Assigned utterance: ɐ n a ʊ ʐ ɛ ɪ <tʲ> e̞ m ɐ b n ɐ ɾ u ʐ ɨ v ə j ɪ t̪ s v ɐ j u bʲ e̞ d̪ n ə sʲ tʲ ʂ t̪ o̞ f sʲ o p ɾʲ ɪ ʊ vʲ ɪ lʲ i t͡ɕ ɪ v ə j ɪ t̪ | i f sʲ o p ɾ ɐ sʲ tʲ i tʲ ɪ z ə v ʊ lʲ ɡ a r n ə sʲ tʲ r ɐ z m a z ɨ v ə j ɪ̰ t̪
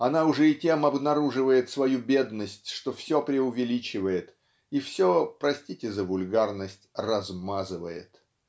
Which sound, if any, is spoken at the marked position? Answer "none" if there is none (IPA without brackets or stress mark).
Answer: tʲ